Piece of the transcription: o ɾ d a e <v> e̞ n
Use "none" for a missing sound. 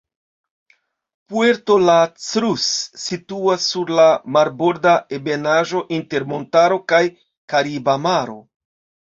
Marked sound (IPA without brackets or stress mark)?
b